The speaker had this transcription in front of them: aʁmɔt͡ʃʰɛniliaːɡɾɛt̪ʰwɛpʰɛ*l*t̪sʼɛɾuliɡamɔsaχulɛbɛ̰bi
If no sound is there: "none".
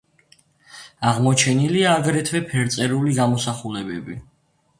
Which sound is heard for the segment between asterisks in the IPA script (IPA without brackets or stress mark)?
ɾ